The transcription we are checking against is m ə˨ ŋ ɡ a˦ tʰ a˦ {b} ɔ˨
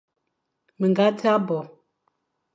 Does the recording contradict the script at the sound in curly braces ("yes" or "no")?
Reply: no